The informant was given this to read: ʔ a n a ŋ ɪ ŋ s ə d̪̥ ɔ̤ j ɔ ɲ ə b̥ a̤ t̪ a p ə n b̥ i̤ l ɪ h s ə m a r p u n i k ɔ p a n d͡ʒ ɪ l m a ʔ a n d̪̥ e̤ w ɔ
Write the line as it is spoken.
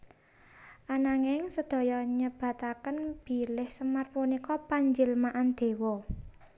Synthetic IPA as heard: ʔ a n a ŋ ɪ ŋ s ə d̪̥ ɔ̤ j ɔ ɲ ə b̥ a̤ t̪ a k ə n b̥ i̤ l ɪ h s ə m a r p u n i k ɔ p a ɲ d͡ʒ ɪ l m a ʔ a n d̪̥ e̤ w ɔ